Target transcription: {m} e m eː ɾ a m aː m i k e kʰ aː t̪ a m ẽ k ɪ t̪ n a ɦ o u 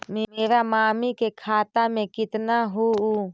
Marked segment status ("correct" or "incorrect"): correct